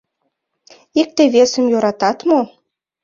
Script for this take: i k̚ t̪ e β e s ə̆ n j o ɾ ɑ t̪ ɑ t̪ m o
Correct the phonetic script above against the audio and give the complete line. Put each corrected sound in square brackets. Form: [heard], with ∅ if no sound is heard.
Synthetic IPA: i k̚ t̪ e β e s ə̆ [m] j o ɾ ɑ t̪ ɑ t̪ m o

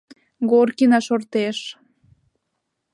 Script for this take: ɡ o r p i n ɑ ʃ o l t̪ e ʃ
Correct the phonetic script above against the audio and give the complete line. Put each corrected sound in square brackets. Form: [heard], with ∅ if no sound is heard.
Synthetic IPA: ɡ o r [k] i n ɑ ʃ o [r] t̪ e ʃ

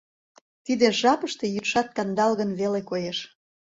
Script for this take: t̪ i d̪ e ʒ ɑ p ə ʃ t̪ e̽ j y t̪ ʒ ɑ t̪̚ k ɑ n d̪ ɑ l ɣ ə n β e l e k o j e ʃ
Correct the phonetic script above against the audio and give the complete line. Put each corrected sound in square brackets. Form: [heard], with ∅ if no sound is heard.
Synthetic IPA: t̪ i d̪ e ʒ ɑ p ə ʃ t̪ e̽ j y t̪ [ʃ] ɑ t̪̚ k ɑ n d̪ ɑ l ɣ ə n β e l e k o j e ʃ

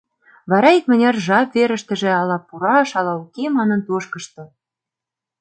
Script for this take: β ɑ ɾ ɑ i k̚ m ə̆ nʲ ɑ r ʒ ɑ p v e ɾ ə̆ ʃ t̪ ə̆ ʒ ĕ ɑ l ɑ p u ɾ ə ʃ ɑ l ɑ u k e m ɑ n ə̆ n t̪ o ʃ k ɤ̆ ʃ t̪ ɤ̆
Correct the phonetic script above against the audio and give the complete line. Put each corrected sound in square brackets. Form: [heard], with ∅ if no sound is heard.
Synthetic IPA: β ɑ ɾ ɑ i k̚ m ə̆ nʲ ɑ r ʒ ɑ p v e ɾ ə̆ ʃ t̪ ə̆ ʒ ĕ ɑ l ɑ p u ɾ [ɑ] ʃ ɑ l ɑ u k e m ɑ n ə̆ n t̪ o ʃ k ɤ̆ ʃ t̪ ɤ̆

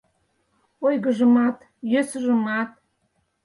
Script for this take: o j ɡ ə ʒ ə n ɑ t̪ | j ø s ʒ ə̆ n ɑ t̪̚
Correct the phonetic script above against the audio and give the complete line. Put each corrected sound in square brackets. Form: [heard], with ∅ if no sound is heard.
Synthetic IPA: o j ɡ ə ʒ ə [m] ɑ t̪ | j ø s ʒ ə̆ [m] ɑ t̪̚

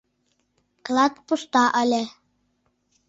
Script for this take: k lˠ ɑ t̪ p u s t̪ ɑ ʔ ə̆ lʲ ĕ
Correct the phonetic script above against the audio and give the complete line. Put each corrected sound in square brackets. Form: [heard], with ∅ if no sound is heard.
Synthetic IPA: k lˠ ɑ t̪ p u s t̪ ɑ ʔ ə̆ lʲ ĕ

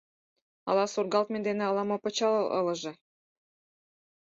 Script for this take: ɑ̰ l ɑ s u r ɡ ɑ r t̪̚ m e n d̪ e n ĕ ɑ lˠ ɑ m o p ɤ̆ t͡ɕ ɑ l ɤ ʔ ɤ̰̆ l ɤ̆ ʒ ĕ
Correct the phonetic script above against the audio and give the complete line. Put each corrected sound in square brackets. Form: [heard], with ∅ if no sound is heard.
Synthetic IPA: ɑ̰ l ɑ s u r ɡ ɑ [l] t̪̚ m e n d̪ e n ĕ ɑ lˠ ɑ m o p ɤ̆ t͡ɕ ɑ l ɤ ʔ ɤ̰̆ l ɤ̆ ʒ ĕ

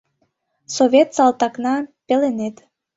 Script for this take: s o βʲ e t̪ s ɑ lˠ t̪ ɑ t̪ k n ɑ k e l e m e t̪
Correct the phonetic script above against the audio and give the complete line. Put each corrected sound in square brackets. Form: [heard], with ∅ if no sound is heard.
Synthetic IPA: s o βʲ e t̪ s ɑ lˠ t̪ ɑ [∅] k n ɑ [p] e l e [n] e t̪

